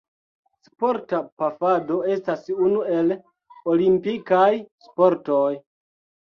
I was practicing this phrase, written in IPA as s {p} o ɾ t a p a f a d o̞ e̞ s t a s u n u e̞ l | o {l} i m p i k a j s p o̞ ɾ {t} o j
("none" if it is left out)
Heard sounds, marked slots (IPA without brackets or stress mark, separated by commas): p, l, t